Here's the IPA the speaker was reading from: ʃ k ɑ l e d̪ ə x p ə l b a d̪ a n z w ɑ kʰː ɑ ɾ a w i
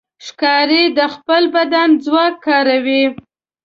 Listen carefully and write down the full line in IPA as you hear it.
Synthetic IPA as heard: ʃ k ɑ ɾ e d̪ ə x p ə l b a d̪ a n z w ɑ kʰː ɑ ɾ a w i